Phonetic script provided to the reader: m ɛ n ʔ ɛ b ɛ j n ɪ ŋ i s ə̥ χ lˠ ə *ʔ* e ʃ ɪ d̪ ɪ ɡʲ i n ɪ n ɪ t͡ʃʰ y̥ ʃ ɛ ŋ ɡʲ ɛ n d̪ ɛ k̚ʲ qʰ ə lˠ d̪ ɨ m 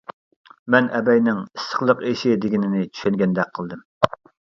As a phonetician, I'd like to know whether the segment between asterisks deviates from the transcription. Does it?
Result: yes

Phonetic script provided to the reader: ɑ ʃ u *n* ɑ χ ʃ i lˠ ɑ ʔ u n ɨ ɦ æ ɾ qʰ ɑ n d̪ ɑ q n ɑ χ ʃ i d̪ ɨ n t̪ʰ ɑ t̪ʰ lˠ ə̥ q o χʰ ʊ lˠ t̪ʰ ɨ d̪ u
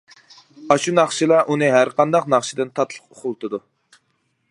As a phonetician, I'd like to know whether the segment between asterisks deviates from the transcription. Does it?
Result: no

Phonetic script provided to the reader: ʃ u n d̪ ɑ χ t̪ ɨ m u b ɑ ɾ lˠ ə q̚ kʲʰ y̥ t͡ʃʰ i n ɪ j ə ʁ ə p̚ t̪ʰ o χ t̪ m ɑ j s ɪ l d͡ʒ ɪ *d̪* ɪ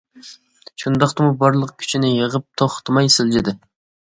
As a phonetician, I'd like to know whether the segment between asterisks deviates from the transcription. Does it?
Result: no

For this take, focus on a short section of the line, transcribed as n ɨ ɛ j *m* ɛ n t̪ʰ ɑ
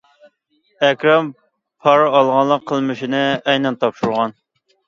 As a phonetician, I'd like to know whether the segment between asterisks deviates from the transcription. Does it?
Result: yes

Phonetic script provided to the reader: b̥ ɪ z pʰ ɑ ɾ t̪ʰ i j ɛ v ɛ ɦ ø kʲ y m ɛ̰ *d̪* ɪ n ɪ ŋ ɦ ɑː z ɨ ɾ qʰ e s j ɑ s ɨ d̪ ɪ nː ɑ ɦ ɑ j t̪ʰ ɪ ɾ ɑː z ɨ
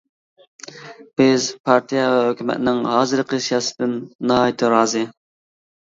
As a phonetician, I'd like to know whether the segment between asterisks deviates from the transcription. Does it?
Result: yes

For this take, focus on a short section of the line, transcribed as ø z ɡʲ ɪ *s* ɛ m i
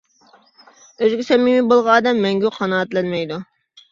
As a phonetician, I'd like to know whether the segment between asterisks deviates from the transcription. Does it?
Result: no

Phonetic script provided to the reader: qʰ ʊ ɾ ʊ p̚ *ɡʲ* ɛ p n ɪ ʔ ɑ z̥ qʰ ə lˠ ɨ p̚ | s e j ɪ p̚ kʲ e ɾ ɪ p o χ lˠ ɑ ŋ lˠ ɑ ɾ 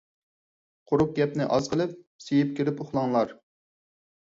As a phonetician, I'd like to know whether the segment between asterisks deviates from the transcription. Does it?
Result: no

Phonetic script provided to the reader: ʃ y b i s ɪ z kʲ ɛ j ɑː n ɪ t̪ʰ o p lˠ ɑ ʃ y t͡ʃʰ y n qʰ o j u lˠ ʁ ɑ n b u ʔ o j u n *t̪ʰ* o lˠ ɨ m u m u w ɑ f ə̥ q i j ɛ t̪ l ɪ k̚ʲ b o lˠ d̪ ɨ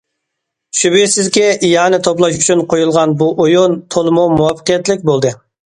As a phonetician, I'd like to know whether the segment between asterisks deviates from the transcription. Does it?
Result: no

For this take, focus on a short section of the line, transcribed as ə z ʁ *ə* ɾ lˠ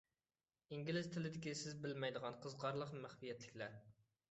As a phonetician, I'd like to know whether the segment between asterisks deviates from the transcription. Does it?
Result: yes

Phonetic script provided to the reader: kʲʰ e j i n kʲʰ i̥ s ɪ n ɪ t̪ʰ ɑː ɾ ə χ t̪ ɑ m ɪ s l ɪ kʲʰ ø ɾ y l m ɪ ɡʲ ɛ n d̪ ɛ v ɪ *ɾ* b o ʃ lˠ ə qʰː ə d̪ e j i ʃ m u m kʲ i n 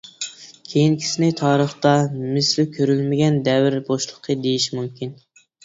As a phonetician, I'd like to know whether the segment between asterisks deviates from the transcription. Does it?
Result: no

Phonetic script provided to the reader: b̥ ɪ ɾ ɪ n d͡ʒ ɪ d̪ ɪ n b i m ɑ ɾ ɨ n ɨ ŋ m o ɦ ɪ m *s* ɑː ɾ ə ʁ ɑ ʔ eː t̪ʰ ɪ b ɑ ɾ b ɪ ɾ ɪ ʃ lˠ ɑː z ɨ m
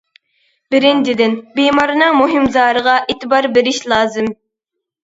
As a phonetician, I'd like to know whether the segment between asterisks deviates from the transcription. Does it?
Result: yes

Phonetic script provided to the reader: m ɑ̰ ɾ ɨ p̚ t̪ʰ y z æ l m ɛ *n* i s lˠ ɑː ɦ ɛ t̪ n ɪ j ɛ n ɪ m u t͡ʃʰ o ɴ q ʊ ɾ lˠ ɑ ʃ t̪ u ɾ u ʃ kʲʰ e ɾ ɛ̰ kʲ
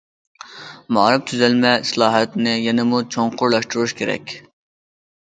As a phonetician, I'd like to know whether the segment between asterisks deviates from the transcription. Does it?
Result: yes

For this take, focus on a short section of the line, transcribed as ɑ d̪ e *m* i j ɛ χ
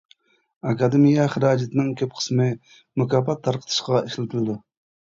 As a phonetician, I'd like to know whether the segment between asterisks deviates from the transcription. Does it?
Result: no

